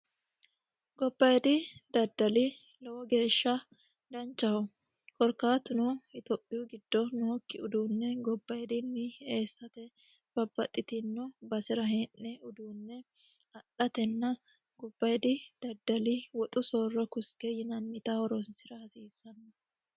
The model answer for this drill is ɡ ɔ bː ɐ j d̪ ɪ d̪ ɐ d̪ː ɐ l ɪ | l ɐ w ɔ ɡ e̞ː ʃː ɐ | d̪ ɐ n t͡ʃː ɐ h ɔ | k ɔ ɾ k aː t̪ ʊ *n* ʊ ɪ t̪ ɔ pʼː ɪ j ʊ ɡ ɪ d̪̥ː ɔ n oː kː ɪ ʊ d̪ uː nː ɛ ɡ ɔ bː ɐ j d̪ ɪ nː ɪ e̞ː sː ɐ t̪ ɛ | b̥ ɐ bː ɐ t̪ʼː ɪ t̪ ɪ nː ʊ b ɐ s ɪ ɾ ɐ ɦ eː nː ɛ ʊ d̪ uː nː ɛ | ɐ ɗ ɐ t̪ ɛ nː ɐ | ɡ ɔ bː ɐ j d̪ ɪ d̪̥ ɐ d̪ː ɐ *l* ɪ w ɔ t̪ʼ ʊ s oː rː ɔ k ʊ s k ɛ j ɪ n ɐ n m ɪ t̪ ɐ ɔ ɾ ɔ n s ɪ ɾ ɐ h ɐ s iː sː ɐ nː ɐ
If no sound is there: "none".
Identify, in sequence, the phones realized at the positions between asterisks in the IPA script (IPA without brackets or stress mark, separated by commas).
n, l